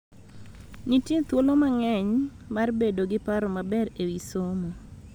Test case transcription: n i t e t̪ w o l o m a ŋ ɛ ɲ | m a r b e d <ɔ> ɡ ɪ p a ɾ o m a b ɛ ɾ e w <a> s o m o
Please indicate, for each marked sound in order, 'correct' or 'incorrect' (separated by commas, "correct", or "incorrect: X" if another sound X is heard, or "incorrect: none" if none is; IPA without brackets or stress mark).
incorrect: o, incorrect: i